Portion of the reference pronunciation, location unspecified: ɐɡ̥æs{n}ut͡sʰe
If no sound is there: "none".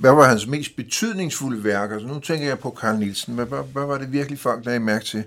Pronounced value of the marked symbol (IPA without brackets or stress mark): n